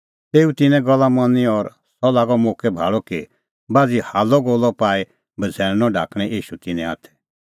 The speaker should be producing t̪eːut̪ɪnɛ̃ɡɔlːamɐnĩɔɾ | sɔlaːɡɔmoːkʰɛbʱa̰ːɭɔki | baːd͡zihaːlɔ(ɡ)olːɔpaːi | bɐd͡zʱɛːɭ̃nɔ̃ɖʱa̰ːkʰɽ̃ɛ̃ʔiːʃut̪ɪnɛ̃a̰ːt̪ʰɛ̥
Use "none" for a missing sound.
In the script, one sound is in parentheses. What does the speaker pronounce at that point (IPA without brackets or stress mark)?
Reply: ɡ